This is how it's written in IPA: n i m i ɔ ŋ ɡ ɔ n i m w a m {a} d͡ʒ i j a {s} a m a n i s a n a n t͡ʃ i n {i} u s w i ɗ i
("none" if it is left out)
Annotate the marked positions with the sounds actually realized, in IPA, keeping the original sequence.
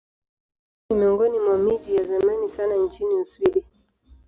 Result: i, z, i

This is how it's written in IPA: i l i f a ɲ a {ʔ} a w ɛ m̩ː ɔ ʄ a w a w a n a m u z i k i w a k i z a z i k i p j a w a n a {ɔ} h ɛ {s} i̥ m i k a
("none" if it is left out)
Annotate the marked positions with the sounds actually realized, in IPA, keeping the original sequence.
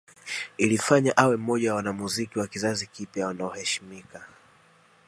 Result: ʔ, ɔ, ʃ

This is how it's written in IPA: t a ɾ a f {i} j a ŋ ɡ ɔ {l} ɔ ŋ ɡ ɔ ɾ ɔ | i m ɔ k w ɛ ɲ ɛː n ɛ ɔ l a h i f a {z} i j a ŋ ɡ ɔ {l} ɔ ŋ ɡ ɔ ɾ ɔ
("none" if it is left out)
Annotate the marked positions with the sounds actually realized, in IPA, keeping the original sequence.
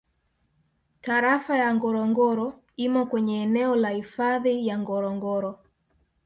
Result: a, ɾ, ð, ɾ

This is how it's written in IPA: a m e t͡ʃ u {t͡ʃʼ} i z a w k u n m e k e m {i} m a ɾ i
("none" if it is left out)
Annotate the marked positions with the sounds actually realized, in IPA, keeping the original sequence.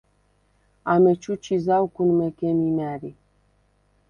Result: t͡ʃ, i

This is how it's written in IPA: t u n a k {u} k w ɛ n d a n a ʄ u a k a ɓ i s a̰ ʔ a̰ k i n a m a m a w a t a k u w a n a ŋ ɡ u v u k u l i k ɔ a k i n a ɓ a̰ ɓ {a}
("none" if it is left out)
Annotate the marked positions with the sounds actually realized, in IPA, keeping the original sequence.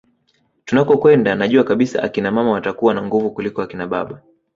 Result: ɔ, a

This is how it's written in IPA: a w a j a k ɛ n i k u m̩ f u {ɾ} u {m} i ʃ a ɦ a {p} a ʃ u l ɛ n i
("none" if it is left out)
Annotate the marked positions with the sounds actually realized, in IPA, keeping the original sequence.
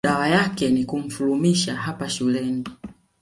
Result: l, m, p

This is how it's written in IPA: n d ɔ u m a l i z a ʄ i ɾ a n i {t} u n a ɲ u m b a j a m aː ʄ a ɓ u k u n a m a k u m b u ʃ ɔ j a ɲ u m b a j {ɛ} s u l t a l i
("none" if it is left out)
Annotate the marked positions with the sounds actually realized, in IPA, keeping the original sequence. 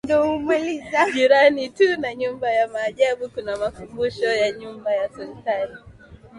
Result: t, a

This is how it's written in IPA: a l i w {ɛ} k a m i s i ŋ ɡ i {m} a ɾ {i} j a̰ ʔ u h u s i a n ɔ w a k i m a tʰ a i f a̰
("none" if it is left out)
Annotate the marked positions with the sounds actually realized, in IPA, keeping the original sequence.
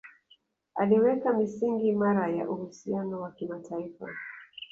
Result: ɛ, m, a

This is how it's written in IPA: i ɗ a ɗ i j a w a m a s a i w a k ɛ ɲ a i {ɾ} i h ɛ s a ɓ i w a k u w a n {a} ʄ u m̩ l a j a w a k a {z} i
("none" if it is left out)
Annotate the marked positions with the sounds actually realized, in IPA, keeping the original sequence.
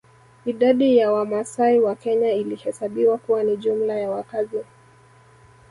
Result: l, i, z

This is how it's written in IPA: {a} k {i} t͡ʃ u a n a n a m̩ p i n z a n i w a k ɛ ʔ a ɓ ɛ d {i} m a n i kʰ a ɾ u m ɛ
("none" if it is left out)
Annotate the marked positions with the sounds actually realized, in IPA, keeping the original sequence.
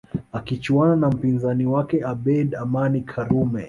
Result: a, i, a

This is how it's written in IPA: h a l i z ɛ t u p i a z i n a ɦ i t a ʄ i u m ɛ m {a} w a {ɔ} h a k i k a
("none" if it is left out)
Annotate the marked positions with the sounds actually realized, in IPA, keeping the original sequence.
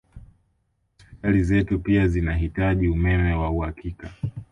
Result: ɛ, u

